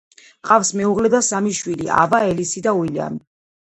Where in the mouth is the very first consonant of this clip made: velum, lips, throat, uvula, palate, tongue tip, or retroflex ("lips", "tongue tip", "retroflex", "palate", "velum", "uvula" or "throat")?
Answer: uvula